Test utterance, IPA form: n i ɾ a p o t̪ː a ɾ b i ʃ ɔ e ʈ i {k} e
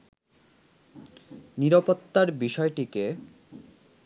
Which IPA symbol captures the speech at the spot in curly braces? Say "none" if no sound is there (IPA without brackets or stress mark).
k